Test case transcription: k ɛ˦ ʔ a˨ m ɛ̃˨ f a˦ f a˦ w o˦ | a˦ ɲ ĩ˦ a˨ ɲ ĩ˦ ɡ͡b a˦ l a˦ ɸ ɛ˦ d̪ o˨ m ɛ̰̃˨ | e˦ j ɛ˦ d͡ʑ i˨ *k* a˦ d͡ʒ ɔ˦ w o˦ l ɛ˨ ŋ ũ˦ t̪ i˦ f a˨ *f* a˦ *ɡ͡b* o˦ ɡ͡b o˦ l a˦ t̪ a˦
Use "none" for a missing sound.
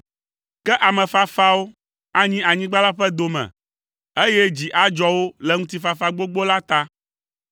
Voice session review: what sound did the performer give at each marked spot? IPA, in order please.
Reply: ʔ, f, ɡ͡b

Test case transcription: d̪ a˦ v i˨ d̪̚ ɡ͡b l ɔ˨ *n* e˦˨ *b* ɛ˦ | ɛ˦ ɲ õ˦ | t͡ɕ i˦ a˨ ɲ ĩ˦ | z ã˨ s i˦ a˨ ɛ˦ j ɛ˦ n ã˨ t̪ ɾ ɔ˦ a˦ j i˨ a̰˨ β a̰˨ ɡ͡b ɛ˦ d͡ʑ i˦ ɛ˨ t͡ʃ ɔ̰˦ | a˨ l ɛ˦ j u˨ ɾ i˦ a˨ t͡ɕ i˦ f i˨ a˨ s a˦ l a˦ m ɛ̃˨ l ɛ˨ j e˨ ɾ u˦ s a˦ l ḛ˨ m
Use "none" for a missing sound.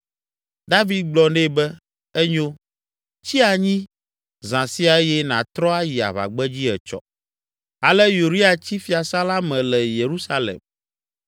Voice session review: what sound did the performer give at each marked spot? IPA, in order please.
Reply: n, b

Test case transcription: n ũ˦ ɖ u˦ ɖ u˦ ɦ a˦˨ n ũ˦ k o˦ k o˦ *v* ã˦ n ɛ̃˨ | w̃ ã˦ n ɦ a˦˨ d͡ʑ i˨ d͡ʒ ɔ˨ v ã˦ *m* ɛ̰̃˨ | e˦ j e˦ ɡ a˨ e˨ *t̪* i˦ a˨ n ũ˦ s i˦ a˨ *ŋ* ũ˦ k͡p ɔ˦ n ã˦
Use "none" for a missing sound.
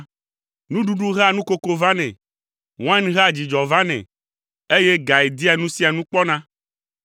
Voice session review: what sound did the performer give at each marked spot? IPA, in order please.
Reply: v, n, d̪, n

